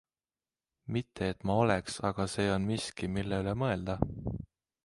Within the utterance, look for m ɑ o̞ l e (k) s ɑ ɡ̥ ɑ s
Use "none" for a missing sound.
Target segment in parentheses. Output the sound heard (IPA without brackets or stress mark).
k